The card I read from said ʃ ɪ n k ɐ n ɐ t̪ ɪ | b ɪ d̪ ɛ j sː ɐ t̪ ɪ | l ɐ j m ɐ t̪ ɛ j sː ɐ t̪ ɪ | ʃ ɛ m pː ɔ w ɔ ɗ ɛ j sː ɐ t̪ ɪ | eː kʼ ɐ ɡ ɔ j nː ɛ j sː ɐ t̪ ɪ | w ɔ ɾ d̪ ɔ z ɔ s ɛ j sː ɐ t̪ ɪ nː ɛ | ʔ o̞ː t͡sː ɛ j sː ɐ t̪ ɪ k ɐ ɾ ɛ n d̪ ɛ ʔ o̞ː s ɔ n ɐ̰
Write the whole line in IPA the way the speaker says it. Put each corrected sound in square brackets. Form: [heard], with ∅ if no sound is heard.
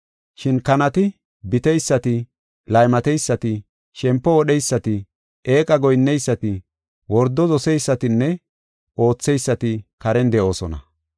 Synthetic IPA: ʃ ɪ n k ɐ n ɐ t̪ ɪ | b ɪ [t̪] ɛ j sː ɐ t̪ ɪ | l ɐ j m ɐ t̪ ɛ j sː ɐ t̪ ɪ | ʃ ɛ m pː ɔ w ɔ ɗ ɛ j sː ɐ t̪ ɪ | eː kʼ ɐ ɡ ɔ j nː ɛ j sː ɐ t̪ ɪ | w ɔ ɾ d̪ ɔ z ɔ s ɛ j sː ɐ t̪ ɪ nː ɛ | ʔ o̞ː t͡sː ɛ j sː ɐ t̪ ɪ k ɐ ɾ ɛ n d̪ ɛ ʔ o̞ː s ɔ n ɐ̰